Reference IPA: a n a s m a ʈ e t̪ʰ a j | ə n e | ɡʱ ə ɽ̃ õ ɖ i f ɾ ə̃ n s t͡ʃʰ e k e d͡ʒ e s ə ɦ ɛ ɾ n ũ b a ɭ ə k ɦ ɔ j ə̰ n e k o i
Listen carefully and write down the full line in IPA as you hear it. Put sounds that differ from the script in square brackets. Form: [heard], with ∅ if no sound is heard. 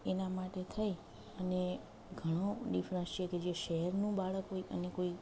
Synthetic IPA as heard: [e] n a [∅] m a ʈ e t̪ʰ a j | ə n e | ɡʱ ə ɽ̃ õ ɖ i f ɾ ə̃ n s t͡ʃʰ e k e d͡ʒ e [ʃ] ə ɦ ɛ ɾ n ũ b a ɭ ə k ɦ [o] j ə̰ n e k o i